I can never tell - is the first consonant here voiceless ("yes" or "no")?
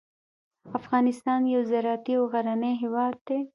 yes